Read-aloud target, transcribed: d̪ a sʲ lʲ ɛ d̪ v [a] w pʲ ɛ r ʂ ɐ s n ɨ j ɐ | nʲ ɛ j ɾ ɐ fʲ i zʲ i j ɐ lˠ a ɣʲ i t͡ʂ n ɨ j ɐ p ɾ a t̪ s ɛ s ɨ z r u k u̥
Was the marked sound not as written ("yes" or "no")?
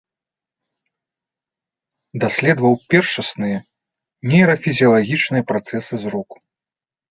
yes